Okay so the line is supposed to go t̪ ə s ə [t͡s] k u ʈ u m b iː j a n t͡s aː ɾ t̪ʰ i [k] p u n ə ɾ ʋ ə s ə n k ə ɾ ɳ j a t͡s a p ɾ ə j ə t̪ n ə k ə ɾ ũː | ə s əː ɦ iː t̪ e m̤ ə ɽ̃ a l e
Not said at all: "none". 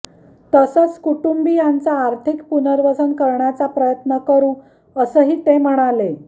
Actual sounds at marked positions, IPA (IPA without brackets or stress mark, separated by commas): t͡s, k